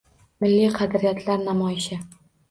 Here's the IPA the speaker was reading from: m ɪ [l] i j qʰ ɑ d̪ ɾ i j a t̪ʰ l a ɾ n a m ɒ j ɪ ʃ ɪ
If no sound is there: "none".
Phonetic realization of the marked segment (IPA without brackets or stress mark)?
lː